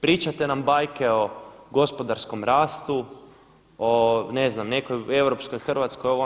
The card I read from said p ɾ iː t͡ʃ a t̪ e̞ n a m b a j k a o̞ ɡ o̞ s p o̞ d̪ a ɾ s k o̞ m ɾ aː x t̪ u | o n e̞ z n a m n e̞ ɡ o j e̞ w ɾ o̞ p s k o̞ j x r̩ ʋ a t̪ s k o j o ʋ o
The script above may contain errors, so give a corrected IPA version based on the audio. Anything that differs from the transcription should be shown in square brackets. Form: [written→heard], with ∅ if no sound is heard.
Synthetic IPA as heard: p ɾ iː t͡ʃ a t̪ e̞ n a m b a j k [a→e] o̞ ɡ o̞ s p o̞ d̪ a ɾ s k o̞ m ɾ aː [x→s] t̪ u | o n e̞ z n a m n e̞ [ɡ→k] o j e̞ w ɾ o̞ p s k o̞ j x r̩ ʋ a t̪ s k o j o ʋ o